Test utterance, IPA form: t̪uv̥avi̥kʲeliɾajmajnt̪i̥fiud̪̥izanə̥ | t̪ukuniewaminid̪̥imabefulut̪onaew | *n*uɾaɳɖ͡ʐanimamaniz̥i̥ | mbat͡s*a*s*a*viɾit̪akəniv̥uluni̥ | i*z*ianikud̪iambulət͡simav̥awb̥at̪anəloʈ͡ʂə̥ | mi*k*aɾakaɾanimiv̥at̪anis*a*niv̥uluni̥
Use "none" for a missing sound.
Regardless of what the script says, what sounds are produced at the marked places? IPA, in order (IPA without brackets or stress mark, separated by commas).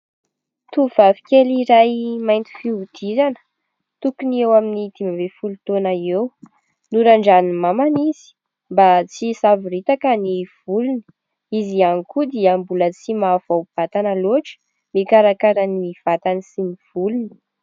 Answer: n, i, a, z, k, i